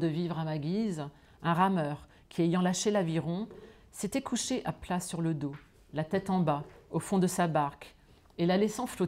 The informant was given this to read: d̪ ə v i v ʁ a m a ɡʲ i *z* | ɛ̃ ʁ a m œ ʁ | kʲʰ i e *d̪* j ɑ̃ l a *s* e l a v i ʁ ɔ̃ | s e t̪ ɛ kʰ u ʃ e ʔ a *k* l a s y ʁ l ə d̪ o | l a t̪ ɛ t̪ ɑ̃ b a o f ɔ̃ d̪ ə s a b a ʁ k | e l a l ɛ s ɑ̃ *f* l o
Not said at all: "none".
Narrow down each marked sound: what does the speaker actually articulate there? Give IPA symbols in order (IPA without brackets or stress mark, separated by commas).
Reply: z, none, ʃ, p, f